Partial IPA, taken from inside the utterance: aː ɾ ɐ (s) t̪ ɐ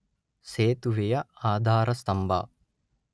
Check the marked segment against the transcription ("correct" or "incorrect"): correct